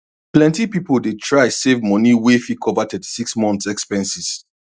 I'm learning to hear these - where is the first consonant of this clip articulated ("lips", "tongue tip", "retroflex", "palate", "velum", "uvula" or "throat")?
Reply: lips